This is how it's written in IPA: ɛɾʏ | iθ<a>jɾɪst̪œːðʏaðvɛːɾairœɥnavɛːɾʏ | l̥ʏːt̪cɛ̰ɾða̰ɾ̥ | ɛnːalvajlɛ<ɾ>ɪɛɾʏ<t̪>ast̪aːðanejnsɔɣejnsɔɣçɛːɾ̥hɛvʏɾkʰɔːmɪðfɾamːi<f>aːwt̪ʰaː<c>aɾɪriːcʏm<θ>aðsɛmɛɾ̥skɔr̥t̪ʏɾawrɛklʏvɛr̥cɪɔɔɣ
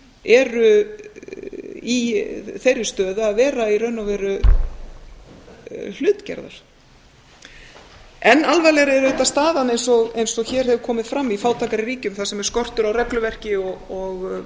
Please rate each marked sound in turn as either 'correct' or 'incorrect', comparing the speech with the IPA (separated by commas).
incorrect, correct, correct, correct, incorrect, correct